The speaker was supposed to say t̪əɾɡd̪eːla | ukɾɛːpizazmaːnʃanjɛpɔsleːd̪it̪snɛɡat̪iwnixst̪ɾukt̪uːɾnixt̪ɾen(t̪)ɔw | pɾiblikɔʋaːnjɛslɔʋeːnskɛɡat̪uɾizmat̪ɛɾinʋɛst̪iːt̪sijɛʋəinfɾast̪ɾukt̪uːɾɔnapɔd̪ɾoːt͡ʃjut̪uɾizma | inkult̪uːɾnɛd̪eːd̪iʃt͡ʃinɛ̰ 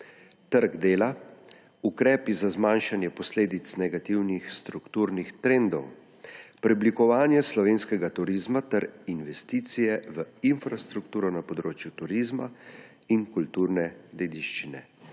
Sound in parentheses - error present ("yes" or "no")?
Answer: yes